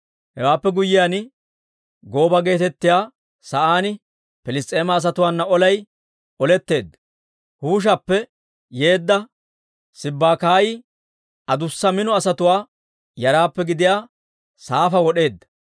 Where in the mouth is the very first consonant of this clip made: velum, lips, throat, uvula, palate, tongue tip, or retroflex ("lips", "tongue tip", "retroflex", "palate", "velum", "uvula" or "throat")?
throat